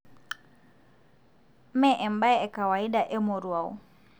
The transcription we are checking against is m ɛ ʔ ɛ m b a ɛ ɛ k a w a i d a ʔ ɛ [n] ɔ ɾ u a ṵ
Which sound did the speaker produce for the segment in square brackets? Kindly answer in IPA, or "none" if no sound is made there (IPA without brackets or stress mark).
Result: m